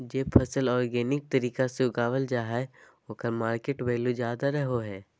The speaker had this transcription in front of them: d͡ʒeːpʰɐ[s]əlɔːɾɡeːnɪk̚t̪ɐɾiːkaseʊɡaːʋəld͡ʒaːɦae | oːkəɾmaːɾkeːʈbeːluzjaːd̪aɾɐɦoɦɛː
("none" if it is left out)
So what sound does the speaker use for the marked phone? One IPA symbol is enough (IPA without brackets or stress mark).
s